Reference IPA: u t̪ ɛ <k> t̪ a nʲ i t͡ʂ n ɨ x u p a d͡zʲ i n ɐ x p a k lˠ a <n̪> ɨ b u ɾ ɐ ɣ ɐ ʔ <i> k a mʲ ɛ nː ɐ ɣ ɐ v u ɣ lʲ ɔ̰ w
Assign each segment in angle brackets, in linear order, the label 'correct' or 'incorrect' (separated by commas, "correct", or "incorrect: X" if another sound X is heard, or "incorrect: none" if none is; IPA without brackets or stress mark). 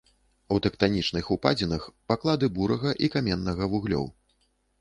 correct, incorrect: d̪, correct